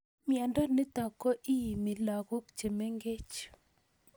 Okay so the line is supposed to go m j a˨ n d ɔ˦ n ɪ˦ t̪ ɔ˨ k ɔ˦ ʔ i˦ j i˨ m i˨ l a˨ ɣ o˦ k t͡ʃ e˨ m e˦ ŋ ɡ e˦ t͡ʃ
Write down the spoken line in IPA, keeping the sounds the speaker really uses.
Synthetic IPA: m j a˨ n d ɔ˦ n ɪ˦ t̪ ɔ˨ k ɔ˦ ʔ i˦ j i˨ m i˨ l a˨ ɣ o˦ k t͡ʃ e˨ m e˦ ŋ ɡ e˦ t͡ʃ